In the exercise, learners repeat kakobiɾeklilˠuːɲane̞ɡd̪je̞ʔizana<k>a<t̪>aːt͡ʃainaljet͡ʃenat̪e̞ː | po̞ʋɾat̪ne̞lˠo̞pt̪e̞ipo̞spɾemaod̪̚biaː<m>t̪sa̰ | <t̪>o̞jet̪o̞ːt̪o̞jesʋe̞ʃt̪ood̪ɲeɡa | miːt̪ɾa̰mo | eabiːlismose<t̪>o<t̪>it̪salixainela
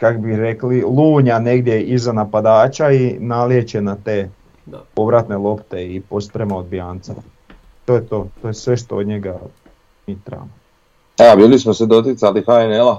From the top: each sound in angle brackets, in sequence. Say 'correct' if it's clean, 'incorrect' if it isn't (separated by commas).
incorrect, incorrect, incorrect, correct, incorrect, correct